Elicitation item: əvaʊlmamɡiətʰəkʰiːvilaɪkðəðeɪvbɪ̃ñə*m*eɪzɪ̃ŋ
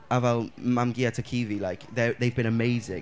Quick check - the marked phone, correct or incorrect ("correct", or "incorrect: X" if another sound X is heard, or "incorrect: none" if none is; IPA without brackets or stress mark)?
correct